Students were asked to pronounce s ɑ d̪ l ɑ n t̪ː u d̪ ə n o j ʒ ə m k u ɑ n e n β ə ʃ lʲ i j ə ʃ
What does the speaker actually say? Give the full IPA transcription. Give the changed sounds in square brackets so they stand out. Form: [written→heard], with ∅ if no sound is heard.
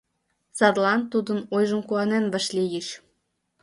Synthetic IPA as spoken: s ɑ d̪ l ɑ n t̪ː u d̪ ə n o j ʒ ə m k u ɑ n e n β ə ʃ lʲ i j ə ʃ